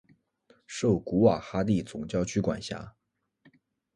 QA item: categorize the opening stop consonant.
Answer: plain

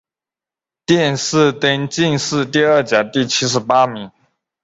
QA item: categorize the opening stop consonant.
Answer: plain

